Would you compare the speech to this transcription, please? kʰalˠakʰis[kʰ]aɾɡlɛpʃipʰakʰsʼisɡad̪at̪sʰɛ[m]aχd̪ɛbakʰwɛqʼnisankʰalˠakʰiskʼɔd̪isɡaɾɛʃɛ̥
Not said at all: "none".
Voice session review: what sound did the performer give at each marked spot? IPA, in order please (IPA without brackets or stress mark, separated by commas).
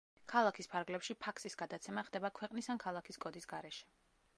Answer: pʰ, m